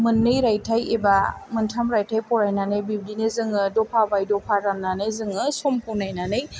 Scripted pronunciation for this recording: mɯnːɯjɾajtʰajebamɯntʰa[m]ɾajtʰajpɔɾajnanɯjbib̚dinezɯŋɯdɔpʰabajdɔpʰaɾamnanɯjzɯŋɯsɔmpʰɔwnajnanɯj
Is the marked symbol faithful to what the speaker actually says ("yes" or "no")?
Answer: yes